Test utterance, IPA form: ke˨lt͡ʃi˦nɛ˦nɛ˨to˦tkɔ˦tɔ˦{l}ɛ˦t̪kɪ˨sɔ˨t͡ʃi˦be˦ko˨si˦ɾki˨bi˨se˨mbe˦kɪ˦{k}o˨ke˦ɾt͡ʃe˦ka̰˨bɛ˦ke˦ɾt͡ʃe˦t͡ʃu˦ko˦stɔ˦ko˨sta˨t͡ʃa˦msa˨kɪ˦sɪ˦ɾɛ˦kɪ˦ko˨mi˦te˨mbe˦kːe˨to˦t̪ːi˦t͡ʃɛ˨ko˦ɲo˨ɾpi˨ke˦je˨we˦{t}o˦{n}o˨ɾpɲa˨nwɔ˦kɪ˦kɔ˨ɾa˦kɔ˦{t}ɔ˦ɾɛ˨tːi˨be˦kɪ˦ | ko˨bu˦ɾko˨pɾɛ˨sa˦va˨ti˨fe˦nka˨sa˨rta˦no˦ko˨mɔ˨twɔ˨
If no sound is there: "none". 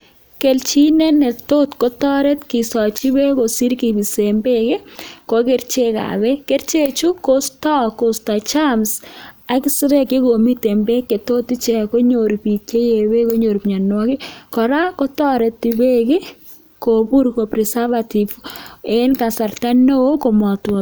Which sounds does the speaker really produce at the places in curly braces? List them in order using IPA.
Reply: ɾ, k, k, ɲ, t

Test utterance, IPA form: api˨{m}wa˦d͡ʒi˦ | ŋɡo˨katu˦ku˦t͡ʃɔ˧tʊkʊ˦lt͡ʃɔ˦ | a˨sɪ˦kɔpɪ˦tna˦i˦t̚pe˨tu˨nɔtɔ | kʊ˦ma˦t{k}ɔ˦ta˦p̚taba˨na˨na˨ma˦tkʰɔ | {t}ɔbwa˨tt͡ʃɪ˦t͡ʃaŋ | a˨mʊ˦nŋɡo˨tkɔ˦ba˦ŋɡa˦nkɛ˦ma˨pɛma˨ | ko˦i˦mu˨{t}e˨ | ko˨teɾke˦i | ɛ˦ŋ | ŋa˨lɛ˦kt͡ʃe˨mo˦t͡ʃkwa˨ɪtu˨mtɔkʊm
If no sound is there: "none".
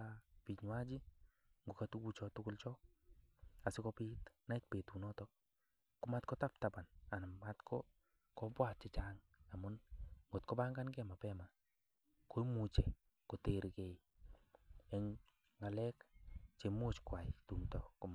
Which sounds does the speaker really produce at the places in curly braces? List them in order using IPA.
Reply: ɲ, k, k, t͡ʃ

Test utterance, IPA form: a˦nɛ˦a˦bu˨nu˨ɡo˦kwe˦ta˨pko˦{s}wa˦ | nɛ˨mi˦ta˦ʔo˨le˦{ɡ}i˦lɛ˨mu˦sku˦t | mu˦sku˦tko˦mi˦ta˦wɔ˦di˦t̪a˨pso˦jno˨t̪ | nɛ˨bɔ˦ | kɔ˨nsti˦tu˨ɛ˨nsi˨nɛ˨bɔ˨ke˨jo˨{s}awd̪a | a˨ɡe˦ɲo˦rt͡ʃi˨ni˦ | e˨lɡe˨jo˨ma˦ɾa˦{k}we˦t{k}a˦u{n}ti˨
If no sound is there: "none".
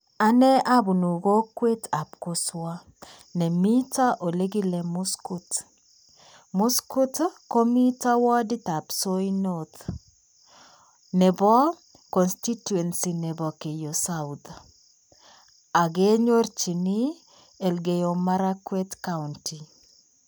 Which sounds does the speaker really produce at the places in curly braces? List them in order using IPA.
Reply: s, ɡ, s, k, k, n

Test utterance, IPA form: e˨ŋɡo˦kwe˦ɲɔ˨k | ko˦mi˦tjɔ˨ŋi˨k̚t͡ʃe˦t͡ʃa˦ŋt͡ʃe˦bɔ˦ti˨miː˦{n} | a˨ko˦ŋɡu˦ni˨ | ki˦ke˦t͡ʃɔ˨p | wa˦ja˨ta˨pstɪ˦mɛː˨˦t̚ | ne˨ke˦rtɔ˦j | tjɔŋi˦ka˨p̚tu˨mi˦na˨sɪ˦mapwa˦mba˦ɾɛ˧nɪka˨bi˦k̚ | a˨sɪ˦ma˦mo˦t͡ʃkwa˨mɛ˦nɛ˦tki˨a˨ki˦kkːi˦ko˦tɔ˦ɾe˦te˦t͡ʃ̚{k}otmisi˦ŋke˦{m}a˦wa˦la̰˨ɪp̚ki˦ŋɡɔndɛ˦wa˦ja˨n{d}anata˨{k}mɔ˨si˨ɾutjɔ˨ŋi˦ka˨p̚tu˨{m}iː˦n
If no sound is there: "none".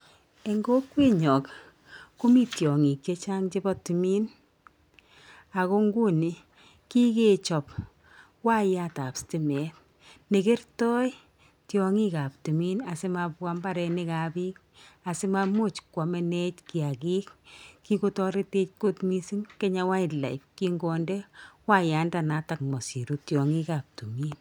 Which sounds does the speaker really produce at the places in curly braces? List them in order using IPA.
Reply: n, k, ɲ, d, k, m

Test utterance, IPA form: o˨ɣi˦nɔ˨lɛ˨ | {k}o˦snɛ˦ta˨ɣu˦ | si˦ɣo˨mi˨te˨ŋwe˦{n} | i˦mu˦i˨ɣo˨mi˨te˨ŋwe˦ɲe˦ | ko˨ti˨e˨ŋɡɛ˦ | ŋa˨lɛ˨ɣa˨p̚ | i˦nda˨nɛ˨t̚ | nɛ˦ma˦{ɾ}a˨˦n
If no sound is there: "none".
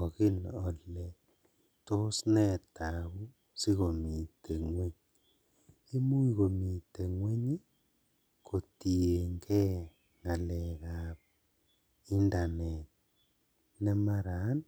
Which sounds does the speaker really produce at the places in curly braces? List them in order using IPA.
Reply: t, ɲ, ɾ

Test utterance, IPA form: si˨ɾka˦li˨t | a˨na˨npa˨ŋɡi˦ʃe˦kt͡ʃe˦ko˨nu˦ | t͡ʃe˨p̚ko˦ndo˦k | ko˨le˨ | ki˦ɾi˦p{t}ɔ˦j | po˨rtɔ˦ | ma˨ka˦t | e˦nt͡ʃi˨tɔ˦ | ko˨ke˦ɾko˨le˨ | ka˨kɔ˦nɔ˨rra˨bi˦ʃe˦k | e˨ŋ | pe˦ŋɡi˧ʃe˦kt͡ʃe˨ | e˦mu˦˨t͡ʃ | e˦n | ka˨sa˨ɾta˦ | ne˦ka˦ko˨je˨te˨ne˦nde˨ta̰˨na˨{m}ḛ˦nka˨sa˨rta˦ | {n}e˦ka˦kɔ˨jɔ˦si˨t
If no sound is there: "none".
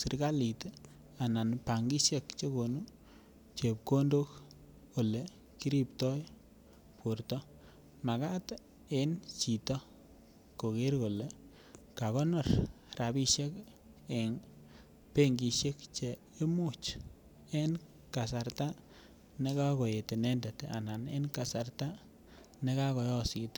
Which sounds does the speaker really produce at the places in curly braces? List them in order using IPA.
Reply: t, n, n

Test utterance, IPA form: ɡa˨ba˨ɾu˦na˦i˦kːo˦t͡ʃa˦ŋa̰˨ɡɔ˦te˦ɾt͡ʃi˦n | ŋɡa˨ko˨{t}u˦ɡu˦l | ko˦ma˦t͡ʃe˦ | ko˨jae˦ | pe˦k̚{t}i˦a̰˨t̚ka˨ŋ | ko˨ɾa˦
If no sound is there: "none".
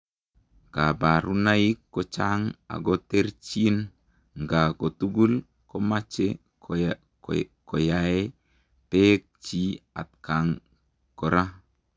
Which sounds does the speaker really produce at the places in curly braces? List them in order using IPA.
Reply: t, t͡ʃ

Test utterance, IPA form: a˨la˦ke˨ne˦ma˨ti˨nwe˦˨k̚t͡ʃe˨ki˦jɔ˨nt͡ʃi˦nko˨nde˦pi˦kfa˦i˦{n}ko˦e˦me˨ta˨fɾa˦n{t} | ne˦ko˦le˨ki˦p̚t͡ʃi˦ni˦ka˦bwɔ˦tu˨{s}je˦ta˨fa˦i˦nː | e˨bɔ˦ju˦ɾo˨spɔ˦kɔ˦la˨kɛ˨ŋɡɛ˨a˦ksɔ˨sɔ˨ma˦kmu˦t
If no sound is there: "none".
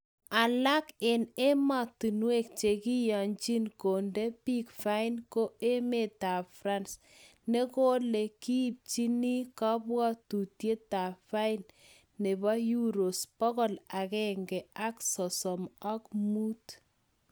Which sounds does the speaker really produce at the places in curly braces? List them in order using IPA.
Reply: n, s, t

